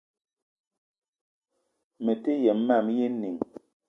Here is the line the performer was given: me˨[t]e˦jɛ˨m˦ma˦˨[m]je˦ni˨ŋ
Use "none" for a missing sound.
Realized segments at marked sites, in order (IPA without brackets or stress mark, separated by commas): t, m